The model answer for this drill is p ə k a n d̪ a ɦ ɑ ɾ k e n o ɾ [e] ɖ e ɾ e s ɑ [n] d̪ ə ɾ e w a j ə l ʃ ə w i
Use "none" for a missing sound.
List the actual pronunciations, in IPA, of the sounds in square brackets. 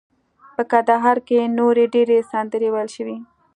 e, n

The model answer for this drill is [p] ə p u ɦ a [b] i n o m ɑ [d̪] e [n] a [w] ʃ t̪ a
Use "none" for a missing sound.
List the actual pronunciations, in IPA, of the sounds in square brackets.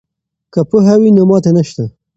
k, w, t̪, n, none

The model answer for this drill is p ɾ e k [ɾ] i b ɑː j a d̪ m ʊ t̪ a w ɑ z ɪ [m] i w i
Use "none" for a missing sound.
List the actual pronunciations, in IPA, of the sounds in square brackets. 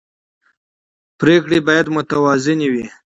ɽ, n

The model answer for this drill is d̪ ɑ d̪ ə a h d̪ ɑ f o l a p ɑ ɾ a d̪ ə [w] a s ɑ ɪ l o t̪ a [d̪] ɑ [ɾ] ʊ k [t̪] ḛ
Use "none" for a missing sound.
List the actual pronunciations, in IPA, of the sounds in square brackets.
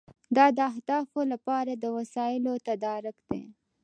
w, d̪, ɾ, d̪

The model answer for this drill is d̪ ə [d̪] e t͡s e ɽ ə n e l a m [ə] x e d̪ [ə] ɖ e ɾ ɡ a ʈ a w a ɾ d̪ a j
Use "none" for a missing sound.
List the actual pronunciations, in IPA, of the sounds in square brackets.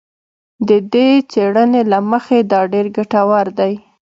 d̪, ə, ɑ

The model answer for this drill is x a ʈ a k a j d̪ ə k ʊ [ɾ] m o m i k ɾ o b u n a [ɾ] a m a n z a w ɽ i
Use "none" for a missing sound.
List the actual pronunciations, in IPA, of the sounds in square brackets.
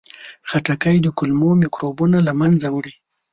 l, l

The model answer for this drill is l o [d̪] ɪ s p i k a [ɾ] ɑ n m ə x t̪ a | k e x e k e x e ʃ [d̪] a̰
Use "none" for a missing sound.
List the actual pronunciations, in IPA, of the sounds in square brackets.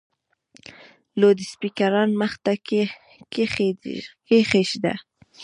d̪, ɾ, d̪

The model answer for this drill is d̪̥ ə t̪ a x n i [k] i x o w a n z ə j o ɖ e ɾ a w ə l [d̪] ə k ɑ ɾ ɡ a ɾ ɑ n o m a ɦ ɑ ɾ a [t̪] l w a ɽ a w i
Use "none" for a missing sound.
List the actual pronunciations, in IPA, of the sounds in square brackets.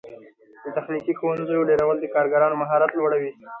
k, d̪, t̪

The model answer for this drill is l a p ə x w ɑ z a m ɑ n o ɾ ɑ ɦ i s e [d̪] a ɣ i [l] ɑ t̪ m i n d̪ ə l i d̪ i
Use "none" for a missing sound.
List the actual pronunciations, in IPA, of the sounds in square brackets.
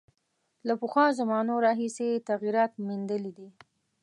t̪, ɾ

